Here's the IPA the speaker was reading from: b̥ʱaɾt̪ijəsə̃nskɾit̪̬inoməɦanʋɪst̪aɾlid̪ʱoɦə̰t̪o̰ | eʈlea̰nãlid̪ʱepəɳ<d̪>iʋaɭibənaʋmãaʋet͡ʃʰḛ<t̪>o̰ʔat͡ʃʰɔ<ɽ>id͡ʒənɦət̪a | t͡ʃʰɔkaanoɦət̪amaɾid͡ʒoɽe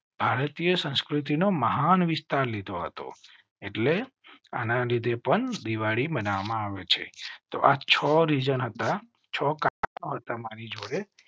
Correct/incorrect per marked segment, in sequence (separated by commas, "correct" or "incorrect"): correct, correct, incorrect